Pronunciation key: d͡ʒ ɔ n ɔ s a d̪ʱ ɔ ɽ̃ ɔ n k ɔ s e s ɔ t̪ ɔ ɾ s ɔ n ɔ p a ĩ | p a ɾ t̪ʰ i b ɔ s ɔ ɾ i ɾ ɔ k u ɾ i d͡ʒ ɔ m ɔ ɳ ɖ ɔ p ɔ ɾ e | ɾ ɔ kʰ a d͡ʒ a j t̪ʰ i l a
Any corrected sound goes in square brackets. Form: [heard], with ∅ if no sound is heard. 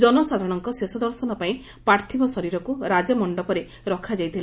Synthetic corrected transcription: d͡ʒ ɔ n ɔ s a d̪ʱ ɔ ɽ̃ ɔ [ŋ] k ɔ s e s ɔ [d̪] ɔ ɾ s ɔ n ɔ p a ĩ | p a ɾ t̪ʰ i b ɔ s ɔ ɾ i ɾ ɔ k u ɾ [a] d͡ʒ ɔ m ɔ ɳ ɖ ɔ p ɔ ɾ e | ɾ ɔ kʰ a d͡ʒ a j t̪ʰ i l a